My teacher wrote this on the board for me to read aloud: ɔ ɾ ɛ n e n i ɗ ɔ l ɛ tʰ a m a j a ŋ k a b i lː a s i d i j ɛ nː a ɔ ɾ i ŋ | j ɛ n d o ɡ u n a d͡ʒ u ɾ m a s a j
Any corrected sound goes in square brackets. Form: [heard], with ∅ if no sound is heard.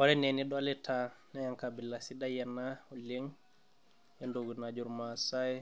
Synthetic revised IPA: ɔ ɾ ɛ n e n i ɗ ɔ l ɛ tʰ a [n] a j a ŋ k a b i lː a s i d [a] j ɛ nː a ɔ [l] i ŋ | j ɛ n d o ɡ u n a d͡ʒ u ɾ m a s a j